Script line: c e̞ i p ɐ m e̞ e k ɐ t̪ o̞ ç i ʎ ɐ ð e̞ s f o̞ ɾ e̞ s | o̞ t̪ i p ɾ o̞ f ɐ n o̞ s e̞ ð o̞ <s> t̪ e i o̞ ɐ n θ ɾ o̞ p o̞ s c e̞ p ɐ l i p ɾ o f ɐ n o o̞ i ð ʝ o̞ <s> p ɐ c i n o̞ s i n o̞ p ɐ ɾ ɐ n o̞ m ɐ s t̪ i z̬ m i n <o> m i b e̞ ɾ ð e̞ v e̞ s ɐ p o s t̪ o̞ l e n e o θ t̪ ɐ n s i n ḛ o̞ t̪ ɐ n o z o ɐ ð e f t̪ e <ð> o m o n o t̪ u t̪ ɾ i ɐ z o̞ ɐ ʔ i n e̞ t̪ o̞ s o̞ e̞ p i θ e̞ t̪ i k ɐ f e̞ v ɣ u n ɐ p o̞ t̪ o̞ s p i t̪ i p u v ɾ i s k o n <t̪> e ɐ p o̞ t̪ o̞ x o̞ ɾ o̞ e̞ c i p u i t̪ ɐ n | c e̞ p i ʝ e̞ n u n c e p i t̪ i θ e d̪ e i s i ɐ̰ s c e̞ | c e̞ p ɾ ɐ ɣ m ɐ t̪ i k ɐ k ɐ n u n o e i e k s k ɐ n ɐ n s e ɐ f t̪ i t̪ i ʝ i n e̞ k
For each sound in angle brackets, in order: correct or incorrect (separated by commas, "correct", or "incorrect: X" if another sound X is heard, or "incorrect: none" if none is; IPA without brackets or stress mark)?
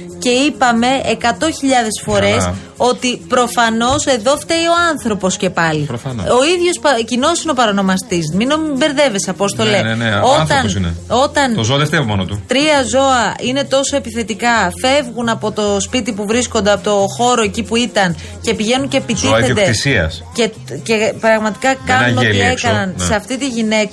incorrect: f, correct, correct, incorrect: v, incorrect: d̪